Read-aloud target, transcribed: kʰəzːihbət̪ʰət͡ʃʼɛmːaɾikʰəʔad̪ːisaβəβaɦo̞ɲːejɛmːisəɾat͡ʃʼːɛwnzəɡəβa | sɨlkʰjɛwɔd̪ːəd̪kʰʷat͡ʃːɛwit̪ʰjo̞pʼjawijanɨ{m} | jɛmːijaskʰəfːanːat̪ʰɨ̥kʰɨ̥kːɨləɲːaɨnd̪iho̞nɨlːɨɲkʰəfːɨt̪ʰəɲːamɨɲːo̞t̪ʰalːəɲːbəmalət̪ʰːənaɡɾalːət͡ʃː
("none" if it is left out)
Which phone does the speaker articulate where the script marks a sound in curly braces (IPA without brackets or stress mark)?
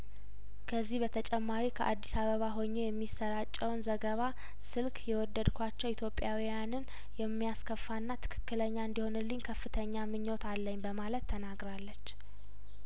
n